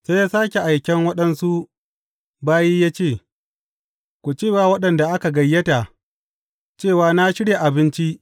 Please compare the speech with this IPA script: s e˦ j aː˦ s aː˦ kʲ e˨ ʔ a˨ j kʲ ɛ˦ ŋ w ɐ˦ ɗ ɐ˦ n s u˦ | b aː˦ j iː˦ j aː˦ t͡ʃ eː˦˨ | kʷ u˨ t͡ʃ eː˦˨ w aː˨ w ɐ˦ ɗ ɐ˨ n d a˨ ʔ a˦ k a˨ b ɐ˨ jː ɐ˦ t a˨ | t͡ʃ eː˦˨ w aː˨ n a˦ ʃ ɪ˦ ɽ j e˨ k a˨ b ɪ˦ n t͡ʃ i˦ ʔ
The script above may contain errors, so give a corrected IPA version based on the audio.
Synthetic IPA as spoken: s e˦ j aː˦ s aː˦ kʲ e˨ ʔ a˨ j kʲ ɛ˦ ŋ w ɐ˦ ɗ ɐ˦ n s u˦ | b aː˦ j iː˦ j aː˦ t͡ʃ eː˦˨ | kʷ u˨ t͡ʃ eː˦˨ w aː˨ w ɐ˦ ɗ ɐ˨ n d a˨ ʔ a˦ k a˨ ɡ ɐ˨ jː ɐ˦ t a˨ | t͡ʃ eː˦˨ w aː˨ n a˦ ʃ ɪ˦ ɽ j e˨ ʔ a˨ b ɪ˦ n t͡ʃ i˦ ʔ